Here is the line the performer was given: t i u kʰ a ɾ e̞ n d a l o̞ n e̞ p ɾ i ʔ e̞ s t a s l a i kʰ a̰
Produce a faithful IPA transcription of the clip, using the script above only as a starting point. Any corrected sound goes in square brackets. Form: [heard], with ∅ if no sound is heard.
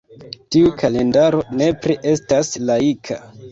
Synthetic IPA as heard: t i u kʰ a [l] e̞ n d a [ɾ] o̞ n e̞ p ɾ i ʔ e̞ s t a s l a i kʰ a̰